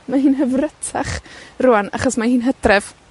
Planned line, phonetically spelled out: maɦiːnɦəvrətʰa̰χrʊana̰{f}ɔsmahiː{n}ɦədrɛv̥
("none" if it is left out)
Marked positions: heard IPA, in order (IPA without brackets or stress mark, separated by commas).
χ, n